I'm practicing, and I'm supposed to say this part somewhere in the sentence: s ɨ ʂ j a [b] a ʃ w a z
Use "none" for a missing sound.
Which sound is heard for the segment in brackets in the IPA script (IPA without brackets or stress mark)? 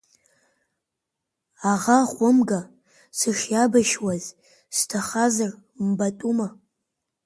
b